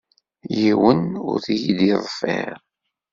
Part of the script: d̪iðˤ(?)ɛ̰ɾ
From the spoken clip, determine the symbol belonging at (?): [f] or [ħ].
f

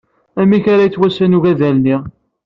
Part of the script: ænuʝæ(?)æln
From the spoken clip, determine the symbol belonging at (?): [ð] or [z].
ð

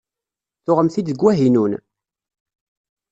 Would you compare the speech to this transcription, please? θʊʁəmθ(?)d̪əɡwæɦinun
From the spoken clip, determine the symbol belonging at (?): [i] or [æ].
i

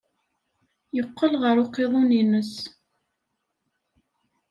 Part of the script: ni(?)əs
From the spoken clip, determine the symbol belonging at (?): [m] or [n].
n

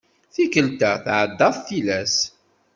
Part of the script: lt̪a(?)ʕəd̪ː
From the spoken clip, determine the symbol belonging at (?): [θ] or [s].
θ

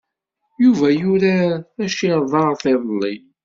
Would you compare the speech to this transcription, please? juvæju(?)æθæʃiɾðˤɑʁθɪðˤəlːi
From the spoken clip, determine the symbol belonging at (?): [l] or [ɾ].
ɾ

